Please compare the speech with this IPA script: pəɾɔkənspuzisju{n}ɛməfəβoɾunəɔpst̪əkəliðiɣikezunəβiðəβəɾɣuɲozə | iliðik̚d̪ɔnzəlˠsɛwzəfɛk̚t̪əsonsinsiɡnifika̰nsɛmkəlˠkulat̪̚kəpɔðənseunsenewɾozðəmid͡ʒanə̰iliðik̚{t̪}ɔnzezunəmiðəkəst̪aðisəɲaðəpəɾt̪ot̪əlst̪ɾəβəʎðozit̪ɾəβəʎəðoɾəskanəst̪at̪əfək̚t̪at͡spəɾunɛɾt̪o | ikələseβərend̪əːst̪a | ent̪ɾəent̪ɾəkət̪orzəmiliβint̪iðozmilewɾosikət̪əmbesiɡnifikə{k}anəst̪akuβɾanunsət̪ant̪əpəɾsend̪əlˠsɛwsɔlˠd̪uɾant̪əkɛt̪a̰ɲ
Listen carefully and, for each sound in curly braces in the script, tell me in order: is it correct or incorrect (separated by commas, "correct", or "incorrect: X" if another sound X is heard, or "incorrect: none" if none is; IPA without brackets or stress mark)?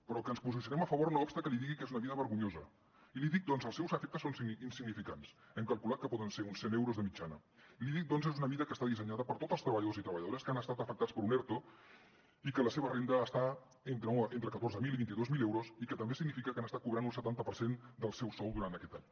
correct, incorrect: d̪, correct